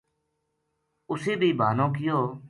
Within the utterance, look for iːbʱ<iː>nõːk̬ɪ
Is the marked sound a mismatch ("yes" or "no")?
yes